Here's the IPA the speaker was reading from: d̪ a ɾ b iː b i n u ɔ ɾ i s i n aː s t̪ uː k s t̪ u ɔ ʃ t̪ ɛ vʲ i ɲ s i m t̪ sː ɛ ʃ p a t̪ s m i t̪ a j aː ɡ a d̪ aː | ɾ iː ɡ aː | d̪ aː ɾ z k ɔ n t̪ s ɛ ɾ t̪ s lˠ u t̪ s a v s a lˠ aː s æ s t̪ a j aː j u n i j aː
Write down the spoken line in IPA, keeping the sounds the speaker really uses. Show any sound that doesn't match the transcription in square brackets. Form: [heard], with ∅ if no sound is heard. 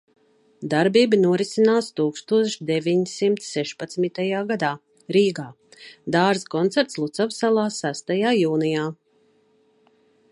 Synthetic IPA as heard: d̪ a ɾ b iː b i n u ɔ ɾ i s i n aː s t̪ uː k s t̪ u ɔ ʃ [d̪] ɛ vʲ i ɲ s i m t̪ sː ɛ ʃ p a t̪ s m i t̪ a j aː ɡ a d̪ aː | ɾ iː ɡ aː | d̪ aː ɾ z k ɔ n t̪ s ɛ ɾ t̪ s lˠ u t̪ s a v s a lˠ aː s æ s t̪ a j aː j [uː] n i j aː